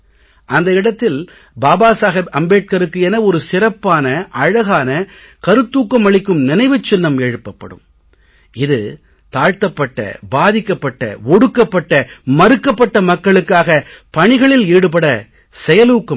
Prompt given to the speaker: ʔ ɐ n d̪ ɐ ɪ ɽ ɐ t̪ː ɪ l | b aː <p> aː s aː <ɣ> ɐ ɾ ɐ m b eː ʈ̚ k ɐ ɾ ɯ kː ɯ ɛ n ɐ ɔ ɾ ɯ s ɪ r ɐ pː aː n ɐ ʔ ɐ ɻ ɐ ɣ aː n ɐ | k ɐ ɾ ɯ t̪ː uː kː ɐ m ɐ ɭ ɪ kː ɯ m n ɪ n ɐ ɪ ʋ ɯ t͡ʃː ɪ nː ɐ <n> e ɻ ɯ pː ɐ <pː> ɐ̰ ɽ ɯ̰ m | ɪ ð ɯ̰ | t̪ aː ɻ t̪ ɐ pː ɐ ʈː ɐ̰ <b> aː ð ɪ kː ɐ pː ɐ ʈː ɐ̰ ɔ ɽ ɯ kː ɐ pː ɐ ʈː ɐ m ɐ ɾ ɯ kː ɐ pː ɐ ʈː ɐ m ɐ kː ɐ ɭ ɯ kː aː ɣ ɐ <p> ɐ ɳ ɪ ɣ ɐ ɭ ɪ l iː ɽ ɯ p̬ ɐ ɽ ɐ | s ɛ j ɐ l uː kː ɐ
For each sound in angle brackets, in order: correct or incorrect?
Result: incorrect, correct, incorrect, correct, correct, correct

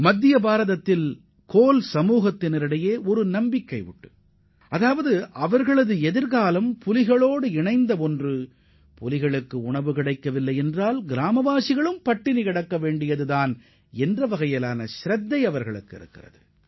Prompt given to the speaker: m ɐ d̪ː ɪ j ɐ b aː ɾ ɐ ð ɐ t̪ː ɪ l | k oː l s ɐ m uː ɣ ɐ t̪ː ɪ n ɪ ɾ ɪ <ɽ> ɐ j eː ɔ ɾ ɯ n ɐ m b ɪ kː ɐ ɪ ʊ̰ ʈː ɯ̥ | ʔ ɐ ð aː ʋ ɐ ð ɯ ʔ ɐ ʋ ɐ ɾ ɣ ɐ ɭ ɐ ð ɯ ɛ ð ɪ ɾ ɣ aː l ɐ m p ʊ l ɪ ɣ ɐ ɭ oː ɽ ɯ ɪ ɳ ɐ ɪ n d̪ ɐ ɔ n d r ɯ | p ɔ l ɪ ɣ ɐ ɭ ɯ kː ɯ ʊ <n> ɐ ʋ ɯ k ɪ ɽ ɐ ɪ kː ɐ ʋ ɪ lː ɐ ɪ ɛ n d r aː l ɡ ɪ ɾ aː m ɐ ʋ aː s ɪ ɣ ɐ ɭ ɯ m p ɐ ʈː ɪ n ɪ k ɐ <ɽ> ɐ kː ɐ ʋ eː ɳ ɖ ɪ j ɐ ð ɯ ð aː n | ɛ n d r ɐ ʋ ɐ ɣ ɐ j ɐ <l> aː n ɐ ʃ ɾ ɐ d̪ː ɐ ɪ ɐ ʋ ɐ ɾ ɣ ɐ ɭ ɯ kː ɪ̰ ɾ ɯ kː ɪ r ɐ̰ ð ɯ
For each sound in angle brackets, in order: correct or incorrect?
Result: correct, incorrect, correct, correct

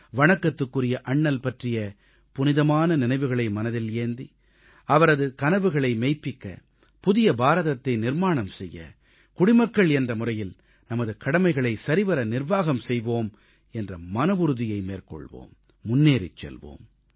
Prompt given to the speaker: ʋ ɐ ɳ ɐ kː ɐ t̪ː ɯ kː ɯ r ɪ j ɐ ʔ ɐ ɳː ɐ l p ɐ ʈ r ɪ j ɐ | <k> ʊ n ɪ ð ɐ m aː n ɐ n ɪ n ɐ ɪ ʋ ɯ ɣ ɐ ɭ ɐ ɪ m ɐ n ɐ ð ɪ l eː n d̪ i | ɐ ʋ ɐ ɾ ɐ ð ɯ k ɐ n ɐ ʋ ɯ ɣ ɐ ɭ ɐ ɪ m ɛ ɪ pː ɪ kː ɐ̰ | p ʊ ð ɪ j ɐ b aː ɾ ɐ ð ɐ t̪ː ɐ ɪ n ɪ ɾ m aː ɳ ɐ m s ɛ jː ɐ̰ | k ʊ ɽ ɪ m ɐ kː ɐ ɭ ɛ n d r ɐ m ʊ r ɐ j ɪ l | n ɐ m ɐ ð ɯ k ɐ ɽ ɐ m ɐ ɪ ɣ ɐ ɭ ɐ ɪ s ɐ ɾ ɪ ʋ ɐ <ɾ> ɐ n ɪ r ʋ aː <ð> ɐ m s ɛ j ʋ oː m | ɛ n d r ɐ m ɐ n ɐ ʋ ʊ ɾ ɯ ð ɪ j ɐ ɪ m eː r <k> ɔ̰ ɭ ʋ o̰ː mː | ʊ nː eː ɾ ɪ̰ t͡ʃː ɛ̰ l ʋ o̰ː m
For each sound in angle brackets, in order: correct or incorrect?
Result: incorrect, correct, incorrect, correct

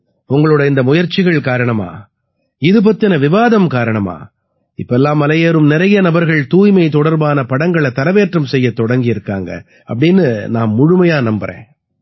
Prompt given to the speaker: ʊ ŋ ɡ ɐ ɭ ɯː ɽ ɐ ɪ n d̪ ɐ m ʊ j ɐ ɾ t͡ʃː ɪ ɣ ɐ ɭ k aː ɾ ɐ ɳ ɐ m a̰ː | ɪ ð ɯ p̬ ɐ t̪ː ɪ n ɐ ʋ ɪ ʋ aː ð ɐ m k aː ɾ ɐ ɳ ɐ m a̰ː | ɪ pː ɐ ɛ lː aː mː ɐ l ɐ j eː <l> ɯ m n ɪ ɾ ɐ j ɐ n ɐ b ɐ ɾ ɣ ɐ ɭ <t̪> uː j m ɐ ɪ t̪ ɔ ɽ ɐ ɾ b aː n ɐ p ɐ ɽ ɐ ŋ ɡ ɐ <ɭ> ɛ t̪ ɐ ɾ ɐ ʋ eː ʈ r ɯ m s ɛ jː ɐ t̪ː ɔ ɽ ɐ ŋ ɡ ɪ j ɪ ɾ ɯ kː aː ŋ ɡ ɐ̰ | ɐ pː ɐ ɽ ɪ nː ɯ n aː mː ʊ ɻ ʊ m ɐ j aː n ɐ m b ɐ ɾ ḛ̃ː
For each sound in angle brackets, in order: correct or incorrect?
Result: incorrect, correct, correct

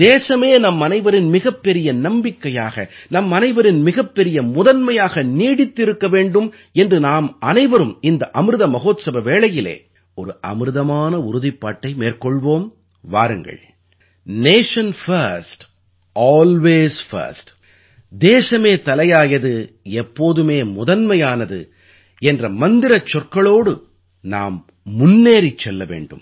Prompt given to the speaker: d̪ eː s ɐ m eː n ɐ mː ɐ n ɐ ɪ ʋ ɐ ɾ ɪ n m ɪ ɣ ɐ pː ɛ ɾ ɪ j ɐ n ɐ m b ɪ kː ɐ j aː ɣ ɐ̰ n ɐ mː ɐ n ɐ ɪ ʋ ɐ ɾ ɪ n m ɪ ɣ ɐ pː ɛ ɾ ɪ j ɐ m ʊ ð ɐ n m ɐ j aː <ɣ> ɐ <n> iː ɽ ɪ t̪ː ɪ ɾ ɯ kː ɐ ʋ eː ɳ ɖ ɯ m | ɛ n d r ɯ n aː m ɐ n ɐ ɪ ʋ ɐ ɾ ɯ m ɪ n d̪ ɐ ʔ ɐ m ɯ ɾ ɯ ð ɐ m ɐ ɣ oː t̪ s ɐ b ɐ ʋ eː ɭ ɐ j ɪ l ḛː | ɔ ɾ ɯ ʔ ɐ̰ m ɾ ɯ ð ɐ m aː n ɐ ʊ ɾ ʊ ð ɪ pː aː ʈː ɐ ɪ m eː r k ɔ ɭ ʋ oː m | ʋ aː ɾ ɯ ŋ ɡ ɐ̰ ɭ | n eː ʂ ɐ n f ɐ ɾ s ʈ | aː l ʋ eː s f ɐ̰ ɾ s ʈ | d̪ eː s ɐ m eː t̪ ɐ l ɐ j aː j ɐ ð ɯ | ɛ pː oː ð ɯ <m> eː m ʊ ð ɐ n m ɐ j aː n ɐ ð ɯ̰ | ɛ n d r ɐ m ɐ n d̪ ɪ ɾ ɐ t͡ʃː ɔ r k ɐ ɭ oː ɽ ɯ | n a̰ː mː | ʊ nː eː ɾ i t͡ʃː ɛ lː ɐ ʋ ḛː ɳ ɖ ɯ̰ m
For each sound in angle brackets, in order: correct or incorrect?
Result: correct, correct, correct

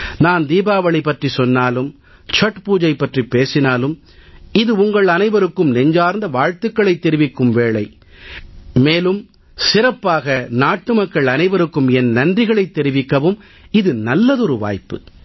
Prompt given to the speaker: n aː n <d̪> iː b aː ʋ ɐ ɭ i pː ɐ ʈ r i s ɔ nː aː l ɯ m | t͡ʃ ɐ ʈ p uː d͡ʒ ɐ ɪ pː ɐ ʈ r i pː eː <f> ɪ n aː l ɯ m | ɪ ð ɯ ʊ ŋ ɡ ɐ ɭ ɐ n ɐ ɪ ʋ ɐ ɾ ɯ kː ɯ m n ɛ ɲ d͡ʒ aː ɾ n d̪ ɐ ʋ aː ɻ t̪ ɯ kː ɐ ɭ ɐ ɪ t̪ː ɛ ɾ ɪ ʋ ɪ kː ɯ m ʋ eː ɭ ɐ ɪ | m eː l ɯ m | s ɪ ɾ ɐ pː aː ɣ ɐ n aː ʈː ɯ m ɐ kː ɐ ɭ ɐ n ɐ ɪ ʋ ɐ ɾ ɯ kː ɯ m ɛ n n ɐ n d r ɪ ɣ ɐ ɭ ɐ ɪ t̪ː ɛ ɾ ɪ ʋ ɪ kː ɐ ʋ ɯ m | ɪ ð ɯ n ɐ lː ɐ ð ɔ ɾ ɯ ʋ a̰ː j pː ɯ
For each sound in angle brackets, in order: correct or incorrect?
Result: correct, incorrect

